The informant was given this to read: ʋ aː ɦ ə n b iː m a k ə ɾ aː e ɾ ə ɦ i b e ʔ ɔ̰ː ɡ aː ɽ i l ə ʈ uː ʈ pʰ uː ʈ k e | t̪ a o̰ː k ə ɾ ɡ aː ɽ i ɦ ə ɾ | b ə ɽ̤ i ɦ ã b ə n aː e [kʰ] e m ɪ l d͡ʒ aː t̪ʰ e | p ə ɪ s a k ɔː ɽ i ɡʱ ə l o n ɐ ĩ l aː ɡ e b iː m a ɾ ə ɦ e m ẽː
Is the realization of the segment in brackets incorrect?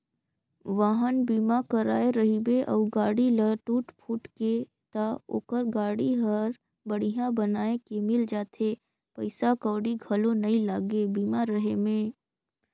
yes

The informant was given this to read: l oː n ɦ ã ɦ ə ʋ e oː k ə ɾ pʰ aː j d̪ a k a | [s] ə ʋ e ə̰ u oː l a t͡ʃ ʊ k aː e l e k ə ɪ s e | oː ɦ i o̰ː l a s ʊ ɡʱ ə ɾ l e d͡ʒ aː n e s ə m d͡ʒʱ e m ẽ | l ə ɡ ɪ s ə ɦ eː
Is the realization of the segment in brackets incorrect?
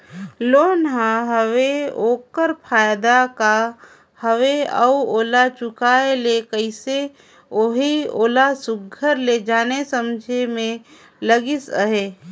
yes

